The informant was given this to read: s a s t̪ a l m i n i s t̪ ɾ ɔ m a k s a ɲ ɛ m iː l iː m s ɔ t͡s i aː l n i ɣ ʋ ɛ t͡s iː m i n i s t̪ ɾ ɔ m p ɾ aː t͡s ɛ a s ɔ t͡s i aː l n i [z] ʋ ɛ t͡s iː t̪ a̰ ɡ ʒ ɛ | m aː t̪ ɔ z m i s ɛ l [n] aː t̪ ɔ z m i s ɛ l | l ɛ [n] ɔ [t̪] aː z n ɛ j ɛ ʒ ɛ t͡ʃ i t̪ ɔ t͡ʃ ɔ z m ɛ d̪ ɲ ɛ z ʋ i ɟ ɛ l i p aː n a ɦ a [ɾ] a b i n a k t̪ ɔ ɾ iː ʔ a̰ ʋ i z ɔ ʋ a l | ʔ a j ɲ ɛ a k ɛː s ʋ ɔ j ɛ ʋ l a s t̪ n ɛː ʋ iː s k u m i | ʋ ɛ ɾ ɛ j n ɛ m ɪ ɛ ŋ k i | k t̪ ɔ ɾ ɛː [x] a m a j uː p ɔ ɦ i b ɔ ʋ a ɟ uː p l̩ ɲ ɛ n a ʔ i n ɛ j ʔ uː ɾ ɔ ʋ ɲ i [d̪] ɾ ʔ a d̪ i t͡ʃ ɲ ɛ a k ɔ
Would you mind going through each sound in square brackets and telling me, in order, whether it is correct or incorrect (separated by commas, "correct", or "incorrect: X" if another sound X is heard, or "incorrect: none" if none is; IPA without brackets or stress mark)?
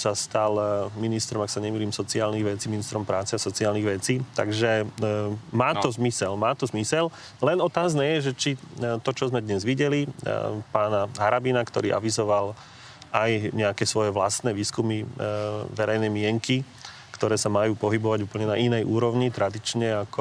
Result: incorrect: ɣ, incorrect: m, correct, correct, correct, incorrect: s, incorrect: t̪